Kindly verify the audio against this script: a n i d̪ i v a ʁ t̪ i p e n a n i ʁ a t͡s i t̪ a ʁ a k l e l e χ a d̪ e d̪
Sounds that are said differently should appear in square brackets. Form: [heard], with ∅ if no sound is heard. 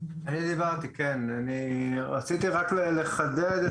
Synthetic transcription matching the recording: a n i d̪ i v a ʁ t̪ i [k] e n a n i ʁ a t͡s i t̪ [i] ʁ a k l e l e χ a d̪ e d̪